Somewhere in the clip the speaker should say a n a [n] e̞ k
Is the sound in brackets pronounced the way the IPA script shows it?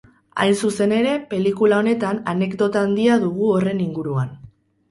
yes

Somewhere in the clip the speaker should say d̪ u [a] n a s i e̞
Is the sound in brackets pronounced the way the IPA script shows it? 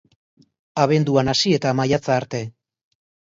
yes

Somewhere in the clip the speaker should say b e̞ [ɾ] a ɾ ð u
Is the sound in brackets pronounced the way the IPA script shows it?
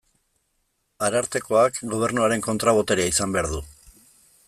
no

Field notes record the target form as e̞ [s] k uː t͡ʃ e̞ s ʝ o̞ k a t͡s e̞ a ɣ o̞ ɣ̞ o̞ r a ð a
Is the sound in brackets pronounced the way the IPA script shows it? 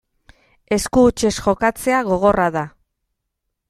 yes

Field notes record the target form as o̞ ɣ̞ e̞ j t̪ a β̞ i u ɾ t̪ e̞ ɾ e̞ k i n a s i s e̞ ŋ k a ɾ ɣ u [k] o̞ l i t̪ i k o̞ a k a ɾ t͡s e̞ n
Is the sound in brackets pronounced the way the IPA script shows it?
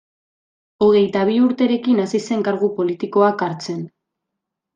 no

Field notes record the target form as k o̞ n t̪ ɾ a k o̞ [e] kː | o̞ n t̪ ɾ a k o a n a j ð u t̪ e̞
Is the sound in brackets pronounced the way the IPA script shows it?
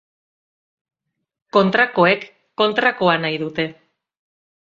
yes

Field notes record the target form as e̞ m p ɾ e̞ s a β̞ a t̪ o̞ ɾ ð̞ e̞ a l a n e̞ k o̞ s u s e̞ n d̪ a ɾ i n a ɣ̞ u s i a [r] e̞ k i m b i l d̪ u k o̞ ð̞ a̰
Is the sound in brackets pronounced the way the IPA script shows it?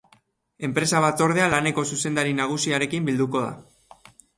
no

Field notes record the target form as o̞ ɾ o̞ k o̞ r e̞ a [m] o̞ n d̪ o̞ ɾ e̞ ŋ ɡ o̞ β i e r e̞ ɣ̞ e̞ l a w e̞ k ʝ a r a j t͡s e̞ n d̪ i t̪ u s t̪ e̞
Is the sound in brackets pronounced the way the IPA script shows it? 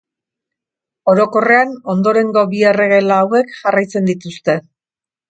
no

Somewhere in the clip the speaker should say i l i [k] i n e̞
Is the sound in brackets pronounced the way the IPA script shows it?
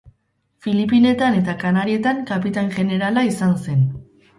no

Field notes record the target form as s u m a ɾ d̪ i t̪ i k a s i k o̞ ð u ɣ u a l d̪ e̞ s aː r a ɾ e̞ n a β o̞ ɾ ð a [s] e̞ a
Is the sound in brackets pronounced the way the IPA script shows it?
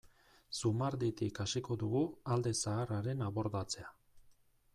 no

